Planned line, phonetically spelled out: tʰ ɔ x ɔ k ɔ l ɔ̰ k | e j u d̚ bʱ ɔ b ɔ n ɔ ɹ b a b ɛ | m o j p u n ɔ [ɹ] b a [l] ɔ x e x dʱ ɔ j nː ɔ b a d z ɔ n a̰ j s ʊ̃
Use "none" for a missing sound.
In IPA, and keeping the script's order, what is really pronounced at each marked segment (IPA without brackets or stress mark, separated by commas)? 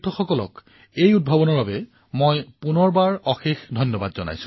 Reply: ɹ, ɹ